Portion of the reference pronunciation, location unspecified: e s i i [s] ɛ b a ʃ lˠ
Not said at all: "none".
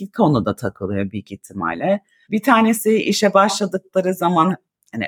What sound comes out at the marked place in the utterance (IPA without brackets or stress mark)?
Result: ʃ